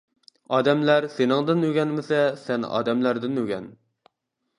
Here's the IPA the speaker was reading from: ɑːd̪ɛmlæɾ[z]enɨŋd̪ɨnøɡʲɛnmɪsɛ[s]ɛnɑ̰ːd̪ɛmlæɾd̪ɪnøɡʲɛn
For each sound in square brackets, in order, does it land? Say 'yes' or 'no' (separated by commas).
no, yes